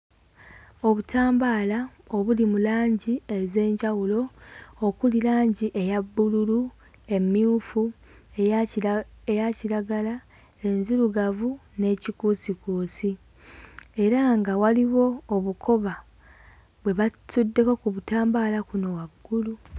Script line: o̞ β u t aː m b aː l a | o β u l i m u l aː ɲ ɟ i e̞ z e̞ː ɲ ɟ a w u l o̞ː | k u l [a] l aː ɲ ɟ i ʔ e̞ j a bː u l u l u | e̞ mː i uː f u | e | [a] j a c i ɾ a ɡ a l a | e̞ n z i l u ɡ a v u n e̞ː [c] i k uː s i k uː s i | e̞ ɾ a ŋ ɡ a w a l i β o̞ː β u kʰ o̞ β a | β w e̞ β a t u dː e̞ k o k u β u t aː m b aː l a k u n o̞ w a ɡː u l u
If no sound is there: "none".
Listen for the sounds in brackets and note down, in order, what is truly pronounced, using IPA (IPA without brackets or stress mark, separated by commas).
i, e, c